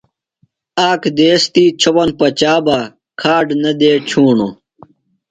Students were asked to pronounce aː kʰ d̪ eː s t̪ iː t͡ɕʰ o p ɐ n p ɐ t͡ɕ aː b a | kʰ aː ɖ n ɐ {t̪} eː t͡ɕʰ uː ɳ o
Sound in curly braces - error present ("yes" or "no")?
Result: yes